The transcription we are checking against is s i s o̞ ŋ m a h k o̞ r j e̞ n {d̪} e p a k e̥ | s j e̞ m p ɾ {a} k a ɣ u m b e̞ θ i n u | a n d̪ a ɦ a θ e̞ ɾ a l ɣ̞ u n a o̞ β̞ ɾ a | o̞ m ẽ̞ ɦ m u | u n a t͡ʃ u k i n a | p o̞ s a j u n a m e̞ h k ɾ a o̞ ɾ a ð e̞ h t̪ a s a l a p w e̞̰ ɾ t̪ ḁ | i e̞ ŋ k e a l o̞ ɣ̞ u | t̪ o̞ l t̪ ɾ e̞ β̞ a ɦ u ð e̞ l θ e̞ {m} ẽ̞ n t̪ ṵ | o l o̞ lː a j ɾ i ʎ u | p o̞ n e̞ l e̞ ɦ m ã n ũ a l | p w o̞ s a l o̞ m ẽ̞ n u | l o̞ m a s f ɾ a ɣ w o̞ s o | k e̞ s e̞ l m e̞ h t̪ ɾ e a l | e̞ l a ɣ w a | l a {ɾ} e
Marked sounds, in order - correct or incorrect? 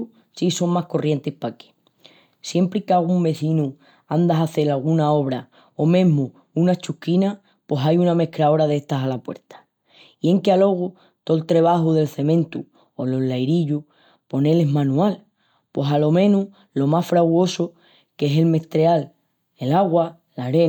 incorrect: t̪, incorrect: i, correct, correct

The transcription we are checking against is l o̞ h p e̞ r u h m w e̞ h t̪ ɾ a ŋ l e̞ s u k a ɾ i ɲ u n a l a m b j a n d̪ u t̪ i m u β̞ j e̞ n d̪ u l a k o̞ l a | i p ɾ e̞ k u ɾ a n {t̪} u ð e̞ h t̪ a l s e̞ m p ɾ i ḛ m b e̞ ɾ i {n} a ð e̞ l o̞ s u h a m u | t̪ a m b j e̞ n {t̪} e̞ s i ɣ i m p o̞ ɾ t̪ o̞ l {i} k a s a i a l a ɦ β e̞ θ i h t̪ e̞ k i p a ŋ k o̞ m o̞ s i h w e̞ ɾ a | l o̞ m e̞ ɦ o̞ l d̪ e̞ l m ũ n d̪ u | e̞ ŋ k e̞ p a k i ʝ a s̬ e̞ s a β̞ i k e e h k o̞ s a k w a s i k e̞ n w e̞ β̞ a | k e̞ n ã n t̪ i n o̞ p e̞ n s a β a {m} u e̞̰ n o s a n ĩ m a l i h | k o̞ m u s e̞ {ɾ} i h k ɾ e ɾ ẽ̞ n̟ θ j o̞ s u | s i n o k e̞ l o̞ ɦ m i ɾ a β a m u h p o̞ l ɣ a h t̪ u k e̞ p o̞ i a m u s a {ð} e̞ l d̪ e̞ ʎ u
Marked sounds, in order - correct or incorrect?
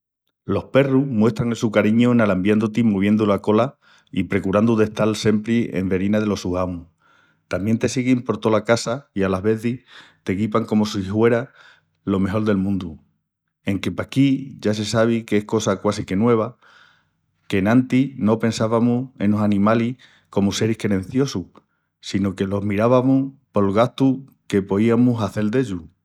incorrect: d̪, correct, correct, incorrect: a, correct, correct, incorrect: θ

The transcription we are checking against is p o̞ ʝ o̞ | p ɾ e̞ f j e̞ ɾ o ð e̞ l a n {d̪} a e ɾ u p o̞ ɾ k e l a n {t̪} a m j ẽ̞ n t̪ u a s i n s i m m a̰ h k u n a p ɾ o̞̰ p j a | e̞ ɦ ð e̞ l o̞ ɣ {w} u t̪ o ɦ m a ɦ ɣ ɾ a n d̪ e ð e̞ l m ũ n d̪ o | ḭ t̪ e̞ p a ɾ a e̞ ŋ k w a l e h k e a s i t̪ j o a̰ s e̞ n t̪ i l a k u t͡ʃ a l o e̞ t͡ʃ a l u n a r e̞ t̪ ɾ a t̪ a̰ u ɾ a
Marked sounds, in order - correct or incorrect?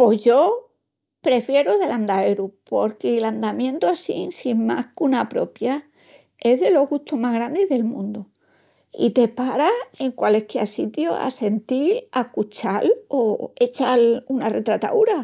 correct, incorrect: d̪, incorrect: ɣ

